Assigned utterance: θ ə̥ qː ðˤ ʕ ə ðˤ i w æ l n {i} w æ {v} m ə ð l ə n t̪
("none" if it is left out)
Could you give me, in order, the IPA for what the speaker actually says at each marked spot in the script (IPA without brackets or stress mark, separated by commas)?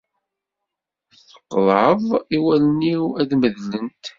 i, ð